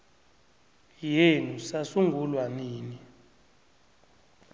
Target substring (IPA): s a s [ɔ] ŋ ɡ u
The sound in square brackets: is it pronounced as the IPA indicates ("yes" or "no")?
no